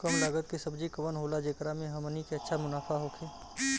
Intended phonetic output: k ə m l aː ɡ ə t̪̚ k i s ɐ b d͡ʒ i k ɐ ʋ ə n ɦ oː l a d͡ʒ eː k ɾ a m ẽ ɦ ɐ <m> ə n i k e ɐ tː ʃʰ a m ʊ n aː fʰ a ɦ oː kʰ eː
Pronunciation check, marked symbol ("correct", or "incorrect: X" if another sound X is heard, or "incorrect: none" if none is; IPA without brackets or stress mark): correct